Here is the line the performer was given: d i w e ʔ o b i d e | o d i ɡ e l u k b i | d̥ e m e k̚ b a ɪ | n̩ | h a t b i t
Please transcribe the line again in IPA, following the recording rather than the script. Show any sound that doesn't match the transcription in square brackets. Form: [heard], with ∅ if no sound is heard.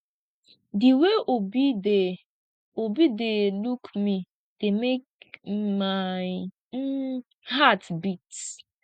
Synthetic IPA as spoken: d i w e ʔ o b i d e | o [b] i [d] e l u k [m] i | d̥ e m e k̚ [m] a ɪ | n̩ | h a t b i t

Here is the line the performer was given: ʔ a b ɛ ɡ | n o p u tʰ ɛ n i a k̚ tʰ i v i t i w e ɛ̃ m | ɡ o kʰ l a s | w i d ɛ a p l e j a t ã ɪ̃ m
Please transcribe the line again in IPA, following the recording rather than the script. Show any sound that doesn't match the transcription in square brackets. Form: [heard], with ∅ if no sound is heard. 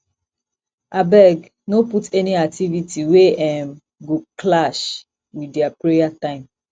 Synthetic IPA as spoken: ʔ a b ɛ ɡ | n o p u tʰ ɛ n i a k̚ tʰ i v i t i w e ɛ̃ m | ɡ o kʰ l a [ʃ] | w i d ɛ a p [ɹ] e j a t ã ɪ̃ m

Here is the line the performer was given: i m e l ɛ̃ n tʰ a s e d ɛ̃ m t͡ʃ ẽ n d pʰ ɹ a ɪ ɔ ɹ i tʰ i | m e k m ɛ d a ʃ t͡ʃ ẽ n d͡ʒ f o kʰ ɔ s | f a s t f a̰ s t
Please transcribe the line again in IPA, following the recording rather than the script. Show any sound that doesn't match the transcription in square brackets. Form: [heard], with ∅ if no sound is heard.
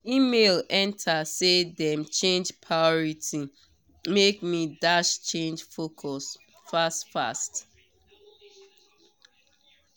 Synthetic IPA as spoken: i m e l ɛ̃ n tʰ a s e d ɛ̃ m t͡ʃ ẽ n [d͡ʒ] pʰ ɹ a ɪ ɔ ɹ i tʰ i | m e k m [i] d a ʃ t͡ʃ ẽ n d͡ʒ f o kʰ ɔ s | f a s t f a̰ s t

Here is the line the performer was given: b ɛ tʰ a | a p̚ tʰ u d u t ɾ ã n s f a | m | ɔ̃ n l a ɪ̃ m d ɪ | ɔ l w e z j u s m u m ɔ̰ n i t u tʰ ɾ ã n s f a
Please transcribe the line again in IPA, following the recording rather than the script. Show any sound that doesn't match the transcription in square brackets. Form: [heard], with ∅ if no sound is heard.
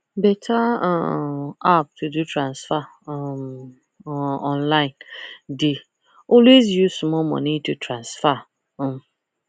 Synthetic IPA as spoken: b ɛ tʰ a | a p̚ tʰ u d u t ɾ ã n s f a | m | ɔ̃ n l a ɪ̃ [n] d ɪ | ɔ l w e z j u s m [ɔ] m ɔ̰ n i t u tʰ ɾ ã n s f a

